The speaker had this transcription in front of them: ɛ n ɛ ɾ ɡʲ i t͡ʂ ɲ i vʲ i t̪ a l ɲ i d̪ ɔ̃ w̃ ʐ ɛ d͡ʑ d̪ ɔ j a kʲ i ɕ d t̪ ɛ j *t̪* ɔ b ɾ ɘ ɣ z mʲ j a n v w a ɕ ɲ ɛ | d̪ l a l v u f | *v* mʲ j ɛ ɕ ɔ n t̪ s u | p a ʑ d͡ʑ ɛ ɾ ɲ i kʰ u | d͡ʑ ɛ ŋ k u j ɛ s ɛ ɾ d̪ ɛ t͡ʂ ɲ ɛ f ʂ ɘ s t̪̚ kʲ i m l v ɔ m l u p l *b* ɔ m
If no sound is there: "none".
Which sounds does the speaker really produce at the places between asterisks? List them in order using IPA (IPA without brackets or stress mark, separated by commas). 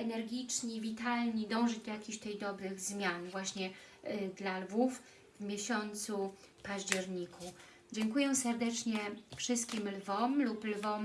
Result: d̪, v, v